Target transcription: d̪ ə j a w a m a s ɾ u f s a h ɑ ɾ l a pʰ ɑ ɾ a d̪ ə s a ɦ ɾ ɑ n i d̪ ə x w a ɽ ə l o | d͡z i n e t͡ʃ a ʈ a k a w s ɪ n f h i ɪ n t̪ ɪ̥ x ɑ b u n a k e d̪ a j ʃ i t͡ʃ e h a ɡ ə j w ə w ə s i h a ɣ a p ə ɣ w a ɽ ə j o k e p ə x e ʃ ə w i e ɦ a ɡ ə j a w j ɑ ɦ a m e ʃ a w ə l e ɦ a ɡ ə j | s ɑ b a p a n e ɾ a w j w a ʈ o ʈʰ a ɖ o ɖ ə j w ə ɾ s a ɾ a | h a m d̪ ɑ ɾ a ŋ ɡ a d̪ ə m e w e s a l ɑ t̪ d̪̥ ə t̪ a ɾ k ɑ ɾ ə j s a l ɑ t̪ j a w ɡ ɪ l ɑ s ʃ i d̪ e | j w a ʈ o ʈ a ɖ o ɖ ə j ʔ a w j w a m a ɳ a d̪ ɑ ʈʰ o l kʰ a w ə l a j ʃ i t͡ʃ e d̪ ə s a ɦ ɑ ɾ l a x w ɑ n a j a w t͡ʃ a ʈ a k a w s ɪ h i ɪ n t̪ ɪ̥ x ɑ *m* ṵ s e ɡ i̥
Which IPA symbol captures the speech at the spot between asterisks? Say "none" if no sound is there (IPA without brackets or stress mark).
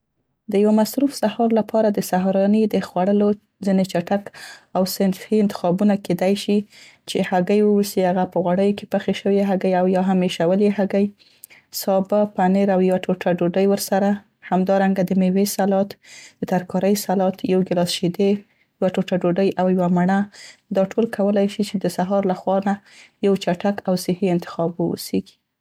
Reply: b